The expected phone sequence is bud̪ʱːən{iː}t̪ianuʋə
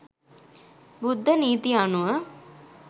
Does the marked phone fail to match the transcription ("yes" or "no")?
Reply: no